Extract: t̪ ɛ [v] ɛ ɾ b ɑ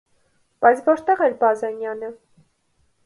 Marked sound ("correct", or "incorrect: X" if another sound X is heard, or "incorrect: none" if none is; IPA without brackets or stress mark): incorrect: ʁ